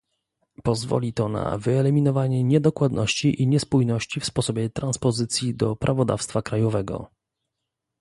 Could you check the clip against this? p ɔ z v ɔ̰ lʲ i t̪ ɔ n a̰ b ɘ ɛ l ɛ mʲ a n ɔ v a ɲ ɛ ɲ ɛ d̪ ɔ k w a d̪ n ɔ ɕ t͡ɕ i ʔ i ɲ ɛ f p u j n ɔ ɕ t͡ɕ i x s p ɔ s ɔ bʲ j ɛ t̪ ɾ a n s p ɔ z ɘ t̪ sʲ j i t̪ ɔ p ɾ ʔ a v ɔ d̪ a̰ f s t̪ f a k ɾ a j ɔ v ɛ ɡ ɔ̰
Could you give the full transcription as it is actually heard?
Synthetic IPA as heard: p ɔ z v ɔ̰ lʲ i t̪ ɔ n a̰ v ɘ ɛ l ɛ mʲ i n ɔ v a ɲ ɛ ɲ ɛ d̪ ɔ k w a d̪ n ɔ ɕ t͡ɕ i ʔ i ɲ ɛ s p u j n ɔ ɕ t͡ɕ i f s p ɔ s ɔ bʲ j ɛ t̪ ɾ a n s p ɔ z ɘ t̪ sʲ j i d̪ ɔ p ɾ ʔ a v ɔ d̪ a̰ f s t̪ f a k ɾ a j ɔ v ɛ ɡ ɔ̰